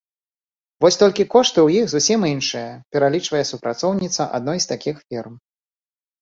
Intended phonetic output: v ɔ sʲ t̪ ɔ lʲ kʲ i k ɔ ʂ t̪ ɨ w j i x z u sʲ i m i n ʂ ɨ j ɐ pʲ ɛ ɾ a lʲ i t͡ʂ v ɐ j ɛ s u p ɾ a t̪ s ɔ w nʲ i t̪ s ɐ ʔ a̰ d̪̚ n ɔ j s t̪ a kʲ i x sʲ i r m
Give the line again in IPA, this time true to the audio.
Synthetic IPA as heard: v ɔ sʲ t̪ ɔ lʲ kʲ i k ɔ ʂ t̪ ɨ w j i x z u sʲ i m i n ʂ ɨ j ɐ pʲ ɛ ɾ a lʲ i t͡ʂ v ɐ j ɛ s u p ɾ a t̪ s ɔ w nʲ i t̪ s ɐ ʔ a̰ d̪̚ n ɔ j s t̪ a kʲ i x fʲ i r m